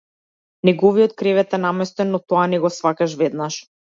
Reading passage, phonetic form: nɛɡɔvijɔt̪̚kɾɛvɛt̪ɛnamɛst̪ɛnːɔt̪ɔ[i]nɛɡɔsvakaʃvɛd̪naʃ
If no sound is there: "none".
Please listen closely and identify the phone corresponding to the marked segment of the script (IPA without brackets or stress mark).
a